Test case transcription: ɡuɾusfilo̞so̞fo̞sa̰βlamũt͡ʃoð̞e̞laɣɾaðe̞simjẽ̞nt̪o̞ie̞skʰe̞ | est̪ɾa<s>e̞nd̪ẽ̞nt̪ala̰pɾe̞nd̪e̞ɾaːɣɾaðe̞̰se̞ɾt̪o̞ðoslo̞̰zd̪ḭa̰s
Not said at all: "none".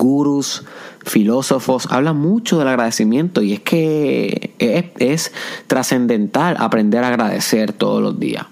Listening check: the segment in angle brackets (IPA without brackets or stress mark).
s